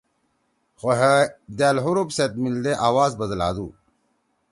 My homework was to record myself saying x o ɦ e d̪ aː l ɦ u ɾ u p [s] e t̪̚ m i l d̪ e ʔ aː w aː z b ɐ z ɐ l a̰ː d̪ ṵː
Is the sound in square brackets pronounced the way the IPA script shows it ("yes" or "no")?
yes